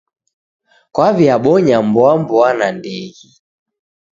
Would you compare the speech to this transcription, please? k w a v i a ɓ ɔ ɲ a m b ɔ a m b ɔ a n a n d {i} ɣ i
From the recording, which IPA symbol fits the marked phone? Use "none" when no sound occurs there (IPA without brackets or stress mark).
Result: ɛ